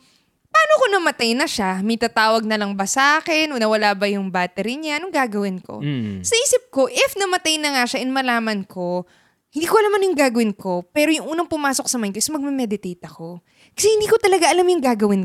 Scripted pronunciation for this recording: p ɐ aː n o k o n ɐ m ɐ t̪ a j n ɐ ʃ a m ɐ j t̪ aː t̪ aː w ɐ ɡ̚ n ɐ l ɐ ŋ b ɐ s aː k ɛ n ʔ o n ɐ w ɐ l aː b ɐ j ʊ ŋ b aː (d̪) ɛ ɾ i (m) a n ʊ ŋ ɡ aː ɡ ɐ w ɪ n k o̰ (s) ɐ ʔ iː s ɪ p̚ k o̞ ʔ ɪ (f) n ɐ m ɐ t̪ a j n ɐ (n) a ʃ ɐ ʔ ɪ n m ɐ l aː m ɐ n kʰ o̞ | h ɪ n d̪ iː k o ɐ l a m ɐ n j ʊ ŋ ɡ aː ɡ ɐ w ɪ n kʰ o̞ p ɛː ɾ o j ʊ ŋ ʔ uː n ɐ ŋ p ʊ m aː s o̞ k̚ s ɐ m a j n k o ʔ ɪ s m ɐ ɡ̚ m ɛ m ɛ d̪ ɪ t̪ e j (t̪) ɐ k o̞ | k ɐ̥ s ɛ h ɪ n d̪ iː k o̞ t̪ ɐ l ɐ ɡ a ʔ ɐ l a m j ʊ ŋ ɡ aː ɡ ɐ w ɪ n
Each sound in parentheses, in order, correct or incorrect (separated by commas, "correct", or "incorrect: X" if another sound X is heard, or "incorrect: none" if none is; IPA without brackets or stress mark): incorrect: t̪, incorrect: ɲ, correct, correct, incorrect: ŋ, correct